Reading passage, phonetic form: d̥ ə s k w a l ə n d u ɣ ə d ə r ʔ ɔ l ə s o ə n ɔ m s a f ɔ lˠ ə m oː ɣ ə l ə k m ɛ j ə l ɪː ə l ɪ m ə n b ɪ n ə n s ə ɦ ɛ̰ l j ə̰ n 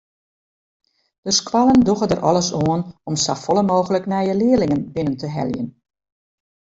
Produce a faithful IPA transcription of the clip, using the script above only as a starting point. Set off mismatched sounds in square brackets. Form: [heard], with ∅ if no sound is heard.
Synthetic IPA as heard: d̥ ə s k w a l ə n d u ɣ ə d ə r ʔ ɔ l ə s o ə n ɔ m s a f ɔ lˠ ə m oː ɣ ə l ə k [n] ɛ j ə l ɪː ə l ɪ [ŋ] ə n b ɪ n ə n [t] ə ɦ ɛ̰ l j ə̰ n

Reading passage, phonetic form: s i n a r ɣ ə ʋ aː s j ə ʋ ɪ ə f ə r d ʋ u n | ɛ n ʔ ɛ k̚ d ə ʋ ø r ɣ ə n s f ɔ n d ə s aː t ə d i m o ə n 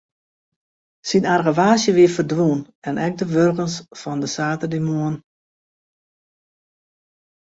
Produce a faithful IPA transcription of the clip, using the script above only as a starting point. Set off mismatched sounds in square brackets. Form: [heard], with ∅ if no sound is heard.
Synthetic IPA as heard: s i n a r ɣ ə ʋ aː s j ə ʋ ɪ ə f ə r d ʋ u n | ɛ n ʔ ɛ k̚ d ə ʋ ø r ɣ ə n s f ɔ n d ə s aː t ə d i m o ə n

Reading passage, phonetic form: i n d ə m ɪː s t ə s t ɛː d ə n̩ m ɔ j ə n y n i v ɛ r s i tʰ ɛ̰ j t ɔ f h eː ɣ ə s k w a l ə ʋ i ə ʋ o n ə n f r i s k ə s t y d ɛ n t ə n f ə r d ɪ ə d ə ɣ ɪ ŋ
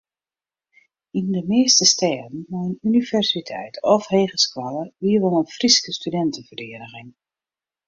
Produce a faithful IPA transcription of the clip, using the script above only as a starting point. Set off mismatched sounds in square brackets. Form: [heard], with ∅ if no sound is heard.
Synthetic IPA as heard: i n d ə m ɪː s t ə s t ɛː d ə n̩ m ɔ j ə n y n i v ɛ r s i tʰ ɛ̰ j t ɔ f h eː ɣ ə s k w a l ə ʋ i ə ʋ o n ə n f r i s k ə s t y d ɛ n t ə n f ə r d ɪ ə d ə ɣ ɪ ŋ

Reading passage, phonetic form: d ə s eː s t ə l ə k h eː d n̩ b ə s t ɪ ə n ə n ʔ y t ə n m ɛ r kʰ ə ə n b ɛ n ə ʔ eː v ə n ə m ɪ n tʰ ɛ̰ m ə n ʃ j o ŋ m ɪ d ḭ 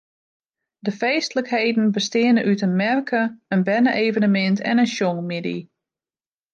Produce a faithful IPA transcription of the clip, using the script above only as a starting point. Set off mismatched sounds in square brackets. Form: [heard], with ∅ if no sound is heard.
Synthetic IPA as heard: d ə [f] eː s t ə l ə k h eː d n̩ b ə s t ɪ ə n ə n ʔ y t ə n m ɛ r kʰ ə ə n b ɛ n ə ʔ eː v ə n ə m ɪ n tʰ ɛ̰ [n] ə n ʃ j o ŋ m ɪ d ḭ

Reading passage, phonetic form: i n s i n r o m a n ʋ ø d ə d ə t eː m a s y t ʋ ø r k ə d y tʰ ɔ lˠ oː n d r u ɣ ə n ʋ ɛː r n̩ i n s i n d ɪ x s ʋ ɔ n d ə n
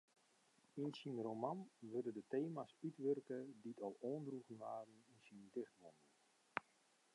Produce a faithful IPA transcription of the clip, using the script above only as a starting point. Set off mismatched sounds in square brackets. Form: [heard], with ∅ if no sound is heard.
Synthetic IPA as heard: i n s i n r o m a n ʋ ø d ə d ə t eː m a s y t ʋ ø r k ə d [i] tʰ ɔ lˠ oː n d r u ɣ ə n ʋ [aː] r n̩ i n s i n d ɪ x [t] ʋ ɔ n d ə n

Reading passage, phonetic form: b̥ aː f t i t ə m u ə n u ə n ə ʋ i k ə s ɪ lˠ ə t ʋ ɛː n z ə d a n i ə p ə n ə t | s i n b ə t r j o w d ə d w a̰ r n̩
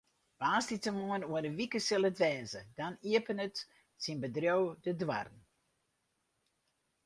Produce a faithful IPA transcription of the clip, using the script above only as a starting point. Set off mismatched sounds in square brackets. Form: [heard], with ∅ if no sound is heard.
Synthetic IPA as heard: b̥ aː [s] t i t ə m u ə n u ə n ə ʋ i k ə s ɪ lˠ ə t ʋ ɛː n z ə d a n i ə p ə n ə t | s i n b ə [d] r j o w d ə d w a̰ r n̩

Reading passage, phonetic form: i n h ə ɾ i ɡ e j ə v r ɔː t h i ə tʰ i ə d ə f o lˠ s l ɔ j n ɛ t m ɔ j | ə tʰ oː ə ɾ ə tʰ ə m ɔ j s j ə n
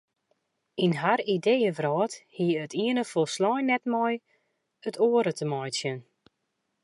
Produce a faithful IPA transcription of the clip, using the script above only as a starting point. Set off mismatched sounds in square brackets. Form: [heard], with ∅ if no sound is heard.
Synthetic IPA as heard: i n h [a] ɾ i [d] e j ə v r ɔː t h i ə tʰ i ə [n] ə f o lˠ s l ɔ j n ɛ t m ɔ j | ə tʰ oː ə ɾ ə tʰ ə m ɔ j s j ə n

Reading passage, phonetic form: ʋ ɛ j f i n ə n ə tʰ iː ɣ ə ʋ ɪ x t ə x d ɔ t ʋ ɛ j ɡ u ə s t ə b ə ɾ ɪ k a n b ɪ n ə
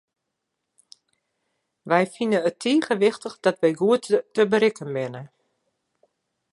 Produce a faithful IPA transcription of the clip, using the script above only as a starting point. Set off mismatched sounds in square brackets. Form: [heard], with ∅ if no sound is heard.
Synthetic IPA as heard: ʋ ɛ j f i n ə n ə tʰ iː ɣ ə ʋ ɪ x t ə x d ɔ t ʋ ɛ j ɡ u ə [t] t ə b ə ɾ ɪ k [ə] n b ɪ n ə

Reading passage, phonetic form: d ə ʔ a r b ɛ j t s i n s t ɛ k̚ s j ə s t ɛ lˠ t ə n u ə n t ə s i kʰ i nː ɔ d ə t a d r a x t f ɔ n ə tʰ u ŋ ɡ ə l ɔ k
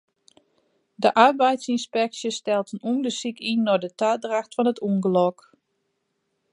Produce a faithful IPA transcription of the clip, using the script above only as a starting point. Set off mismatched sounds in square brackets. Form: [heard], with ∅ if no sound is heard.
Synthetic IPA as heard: d ə ʔ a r b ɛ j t s i n s [p] ɛ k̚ s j ə s t ɛ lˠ t ə n u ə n [d] ə s i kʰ i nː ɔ d ə t a d r a x t f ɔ n ə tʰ u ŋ ɡ ə l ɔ k

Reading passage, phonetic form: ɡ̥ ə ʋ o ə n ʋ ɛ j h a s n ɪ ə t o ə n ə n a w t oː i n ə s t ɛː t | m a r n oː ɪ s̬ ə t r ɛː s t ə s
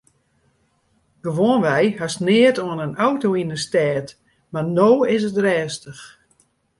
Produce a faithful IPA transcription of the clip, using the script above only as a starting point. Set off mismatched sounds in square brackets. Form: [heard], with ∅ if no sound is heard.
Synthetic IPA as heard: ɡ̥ ə ʋ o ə n ʋ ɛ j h a s n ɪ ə t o ə n ə n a w t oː i n ə s t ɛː t | m a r n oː ɪ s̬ ə t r ɛː s t ə [x]

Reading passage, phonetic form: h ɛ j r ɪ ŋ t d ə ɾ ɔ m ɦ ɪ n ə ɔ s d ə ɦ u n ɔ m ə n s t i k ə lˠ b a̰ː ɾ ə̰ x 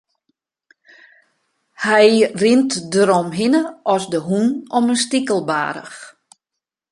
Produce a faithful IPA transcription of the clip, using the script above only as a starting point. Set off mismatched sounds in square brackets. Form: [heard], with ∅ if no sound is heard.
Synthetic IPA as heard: h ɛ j r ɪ [n] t d ə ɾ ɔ m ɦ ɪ n ə ɔ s d ə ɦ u n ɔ m ə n s t i k ə lˠ b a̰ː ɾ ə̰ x

